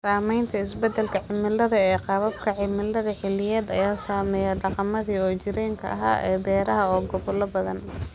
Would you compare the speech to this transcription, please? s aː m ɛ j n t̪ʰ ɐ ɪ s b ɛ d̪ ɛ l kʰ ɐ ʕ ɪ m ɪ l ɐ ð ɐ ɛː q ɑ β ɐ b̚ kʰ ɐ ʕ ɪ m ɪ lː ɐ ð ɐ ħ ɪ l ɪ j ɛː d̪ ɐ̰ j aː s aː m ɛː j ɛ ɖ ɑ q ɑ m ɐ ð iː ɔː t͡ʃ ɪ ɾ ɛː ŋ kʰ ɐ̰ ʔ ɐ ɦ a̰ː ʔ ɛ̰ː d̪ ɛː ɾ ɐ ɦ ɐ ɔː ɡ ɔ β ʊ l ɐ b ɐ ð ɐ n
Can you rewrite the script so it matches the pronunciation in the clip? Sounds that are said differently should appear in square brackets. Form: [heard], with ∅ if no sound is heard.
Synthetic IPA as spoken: s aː m ɛ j n t̪ʰ ɐ ɪ s b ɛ d̪ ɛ l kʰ ɐ ʕ ɪ m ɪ l ɐ ð ɐ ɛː q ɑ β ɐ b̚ kʰ ɐ ʕ ɪ m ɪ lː ɐ ð ɐ ħ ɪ l ɪ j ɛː d̪ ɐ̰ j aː s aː m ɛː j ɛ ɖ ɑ q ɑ m ɐ ð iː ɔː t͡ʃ ɪ ɾ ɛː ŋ kʰ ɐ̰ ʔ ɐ ɦ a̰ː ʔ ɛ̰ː d̪ ɛː ɾ ɐ ɦ ɐ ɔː ɡ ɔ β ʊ l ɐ b ɐ ð ɐ n